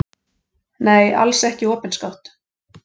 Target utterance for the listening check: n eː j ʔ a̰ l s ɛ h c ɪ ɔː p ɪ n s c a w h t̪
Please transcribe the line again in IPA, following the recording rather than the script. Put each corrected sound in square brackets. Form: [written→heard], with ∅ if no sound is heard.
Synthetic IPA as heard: n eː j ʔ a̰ l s ɛ h c ɪ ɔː p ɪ n s [c→k] a w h t̪

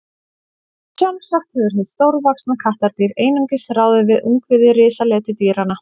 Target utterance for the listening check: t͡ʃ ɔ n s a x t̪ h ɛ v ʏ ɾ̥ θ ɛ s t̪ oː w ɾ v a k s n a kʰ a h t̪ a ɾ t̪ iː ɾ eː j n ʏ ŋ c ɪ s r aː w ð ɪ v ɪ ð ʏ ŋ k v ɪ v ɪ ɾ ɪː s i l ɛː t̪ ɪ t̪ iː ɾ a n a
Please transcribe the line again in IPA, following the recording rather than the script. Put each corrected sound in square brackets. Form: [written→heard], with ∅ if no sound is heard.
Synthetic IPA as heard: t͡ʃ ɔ n s a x t̪ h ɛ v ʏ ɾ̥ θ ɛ s t̪ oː w ɾ v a k s n a kʰ a h t̪ a ɾ t̪ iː ɾ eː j n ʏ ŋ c ɪ s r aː w ð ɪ v ɪ ð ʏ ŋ k v ɪ [v→ð] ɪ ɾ ɪː s [i→a] l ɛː t̪ ɪ t̪ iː ɾ a n a

